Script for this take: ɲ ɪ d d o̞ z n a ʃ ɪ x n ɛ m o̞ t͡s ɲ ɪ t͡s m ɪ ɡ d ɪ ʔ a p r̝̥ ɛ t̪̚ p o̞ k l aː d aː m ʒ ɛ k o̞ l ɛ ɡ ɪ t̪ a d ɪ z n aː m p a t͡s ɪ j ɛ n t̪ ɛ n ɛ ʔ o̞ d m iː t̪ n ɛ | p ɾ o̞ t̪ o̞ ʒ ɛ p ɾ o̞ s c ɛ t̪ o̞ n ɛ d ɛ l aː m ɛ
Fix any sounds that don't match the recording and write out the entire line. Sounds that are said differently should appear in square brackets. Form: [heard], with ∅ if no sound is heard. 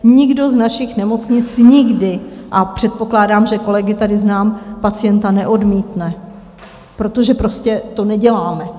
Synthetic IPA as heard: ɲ ɪ [ɡ] d o̞ z n a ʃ ɪ x n ɛ m o̞ t͡s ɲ ɪ t͡s [ɲ] ɪ ɡ d ɪ ʔ a p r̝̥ ɛ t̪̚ p o̞ k l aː d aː m ʒ ɛ k o̞ l ɛ ɡ ɪ t̪ a d ɪ z n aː m p a t͡s ɪ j ɛ n t̪ [a] n ɛ ʔ o̞ d m iː t̪ n ɛ | p ɾ o̞ t̪ o̞ ʒ ɛ p ɾ o̞ s c ɛ t̪ o̞ n ɛ [ɟ] ɛ l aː m ɛ